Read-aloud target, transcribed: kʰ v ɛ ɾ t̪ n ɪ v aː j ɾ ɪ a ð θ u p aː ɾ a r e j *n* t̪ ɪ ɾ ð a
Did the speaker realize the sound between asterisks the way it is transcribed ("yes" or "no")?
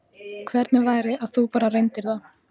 yes